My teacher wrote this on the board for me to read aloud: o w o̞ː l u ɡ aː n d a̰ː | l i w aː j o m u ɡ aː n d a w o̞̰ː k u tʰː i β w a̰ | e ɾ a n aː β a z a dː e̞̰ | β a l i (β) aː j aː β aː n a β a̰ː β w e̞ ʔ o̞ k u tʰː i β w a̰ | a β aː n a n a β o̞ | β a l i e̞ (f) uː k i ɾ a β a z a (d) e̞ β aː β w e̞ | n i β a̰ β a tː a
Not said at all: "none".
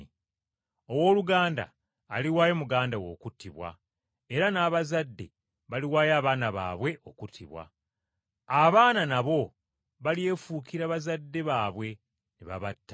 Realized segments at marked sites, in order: w, f, dː

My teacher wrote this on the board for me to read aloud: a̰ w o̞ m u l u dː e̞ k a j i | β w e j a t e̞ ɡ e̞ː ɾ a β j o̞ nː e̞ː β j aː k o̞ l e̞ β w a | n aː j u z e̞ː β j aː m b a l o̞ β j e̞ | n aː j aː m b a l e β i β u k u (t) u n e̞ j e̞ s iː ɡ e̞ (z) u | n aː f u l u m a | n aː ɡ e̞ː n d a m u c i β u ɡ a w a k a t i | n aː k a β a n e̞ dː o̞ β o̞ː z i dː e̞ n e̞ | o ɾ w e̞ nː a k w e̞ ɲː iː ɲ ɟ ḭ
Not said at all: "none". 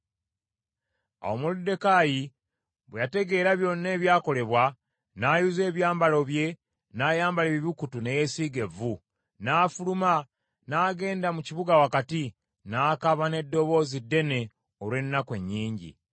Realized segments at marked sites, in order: t, v

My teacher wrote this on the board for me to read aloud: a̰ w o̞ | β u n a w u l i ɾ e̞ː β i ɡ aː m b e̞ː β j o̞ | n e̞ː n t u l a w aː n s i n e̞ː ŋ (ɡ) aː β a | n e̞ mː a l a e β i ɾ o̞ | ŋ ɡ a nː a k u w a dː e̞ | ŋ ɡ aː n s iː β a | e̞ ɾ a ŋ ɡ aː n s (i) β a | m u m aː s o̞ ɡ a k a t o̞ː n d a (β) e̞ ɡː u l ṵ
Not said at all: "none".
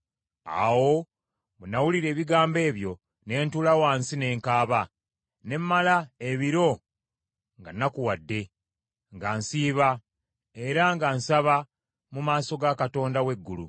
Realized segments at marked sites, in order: k, a, w

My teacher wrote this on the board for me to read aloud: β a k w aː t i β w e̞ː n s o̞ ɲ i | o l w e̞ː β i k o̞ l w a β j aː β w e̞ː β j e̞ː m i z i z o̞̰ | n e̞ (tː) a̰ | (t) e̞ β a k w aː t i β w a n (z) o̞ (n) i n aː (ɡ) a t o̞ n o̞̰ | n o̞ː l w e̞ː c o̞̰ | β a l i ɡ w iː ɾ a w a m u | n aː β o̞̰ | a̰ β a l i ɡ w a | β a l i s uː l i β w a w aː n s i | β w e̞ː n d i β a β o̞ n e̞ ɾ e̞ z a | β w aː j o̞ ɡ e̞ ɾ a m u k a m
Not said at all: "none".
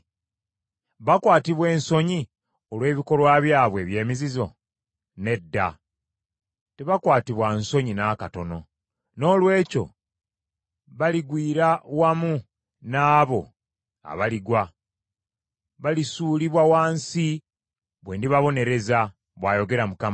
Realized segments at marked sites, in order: dː, t, s, ɲ, k

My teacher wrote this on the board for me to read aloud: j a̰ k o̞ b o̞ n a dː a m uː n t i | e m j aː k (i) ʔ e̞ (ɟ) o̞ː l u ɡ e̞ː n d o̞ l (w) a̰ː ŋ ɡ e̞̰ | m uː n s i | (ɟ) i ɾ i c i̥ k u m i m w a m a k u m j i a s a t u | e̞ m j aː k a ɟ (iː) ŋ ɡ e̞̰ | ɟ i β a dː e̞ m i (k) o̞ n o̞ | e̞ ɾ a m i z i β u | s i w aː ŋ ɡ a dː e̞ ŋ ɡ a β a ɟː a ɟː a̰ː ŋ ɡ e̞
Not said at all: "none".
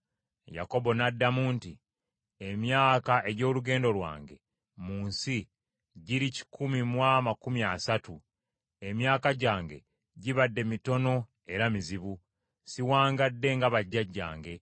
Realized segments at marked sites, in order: a, ɟ, w, ɟ, aː, t

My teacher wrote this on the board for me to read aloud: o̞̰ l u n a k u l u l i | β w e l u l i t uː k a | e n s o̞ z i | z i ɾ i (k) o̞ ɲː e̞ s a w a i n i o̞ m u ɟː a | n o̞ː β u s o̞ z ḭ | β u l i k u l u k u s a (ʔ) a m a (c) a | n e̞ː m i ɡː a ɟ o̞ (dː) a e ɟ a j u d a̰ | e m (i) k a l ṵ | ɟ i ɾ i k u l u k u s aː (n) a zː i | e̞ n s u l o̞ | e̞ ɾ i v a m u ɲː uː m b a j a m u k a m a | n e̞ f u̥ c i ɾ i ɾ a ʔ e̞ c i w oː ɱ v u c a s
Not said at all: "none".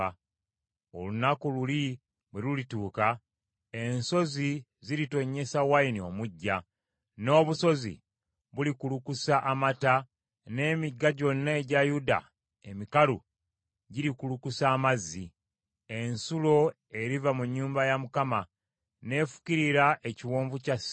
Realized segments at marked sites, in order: t, ʔ, t, nː, i, m

